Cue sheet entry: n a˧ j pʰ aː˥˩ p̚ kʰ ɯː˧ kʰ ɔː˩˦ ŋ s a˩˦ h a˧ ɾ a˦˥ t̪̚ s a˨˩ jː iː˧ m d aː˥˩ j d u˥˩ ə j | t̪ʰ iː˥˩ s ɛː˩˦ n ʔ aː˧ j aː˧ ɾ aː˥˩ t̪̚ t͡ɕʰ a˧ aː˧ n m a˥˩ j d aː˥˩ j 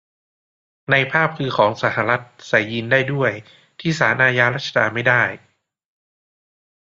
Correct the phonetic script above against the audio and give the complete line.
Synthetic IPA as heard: n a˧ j pʰ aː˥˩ p̚ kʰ ɯː˧ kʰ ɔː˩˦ ŋ s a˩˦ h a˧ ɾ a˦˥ t̪̚ s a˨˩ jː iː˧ n d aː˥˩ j d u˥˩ ə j | t̪ʰ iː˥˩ s aː˩˦ n ʔ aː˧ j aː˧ ɾ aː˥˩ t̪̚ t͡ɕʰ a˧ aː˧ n m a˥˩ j d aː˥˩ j